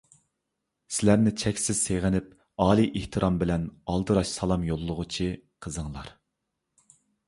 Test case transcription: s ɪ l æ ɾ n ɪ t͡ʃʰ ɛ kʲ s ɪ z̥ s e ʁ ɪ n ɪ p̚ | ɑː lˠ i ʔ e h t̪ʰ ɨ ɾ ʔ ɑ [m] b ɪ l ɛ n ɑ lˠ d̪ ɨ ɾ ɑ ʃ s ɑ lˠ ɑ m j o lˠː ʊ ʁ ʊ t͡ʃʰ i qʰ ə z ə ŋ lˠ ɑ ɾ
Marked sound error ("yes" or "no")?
no